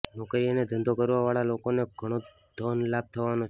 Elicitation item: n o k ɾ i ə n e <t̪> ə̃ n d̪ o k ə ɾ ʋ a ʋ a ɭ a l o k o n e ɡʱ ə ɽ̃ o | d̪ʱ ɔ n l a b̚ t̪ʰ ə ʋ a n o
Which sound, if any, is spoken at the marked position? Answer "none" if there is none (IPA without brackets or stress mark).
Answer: d̪